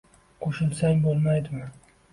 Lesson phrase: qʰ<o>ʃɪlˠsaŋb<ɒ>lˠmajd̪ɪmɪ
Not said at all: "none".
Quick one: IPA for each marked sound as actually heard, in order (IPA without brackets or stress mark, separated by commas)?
o, o